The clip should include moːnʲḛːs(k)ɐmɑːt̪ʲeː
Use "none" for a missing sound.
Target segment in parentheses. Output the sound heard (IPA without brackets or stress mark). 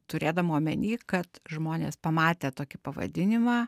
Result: p